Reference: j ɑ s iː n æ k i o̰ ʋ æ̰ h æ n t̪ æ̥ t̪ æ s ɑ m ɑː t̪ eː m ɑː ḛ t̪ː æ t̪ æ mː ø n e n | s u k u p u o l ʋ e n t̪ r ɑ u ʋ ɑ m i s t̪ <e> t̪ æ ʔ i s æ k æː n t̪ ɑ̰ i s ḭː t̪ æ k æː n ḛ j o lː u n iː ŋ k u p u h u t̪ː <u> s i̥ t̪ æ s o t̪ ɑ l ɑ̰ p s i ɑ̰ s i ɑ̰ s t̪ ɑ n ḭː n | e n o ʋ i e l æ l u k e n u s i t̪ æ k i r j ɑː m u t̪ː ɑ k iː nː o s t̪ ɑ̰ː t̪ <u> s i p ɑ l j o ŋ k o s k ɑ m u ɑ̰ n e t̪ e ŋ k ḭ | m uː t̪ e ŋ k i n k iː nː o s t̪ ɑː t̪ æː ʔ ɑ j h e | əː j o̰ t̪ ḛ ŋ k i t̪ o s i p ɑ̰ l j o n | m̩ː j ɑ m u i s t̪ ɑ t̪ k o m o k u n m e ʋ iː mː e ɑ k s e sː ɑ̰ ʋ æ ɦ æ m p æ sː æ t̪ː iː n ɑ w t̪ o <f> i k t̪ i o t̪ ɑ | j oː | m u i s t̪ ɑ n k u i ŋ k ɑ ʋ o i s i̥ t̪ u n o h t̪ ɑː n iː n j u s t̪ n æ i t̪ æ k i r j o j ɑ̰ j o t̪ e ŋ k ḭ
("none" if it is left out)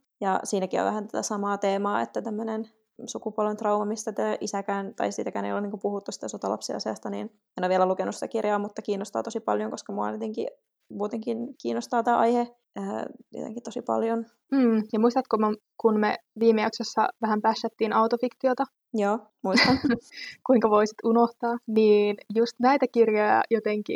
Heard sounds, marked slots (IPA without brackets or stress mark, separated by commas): æ, u, o, f